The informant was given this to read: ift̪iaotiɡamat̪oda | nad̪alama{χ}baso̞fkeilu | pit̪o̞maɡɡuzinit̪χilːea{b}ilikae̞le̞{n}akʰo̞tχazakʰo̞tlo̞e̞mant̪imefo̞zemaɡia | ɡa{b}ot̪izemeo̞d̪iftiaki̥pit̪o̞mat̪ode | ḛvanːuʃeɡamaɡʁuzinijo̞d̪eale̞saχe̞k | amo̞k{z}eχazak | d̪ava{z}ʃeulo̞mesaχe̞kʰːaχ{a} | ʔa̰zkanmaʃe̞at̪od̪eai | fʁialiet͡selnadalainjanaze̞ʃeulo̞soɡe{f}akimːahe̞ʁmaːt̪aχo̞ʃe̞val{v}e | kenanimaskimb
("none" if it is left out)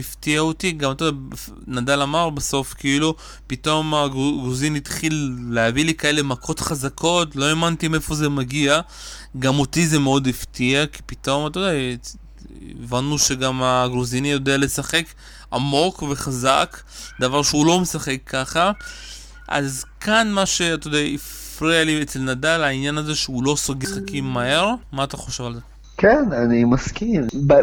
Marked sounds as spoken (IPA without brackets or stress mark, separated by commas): ʁ, v, m, m, v, ʁ, a, χ, z